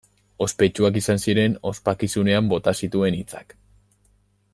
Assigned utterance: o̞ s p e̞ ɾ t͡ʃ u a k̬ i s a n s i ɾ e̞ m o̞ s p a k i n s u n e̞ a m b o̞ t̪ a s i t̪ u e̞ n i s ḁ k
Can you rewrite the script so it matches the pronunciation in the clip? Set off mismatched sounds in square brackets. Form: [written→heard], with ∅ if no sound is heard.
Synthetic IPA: o̞ s p e̞ [ɾ→∅] t͡ʃ u a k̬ i s a n s i ɾ e̞ [m→n] o̞ s p a k i [n→∅] s u n e̞ a m b o̞ t̪ a s i t̪ u e̞ n i [s→t͡s] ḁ k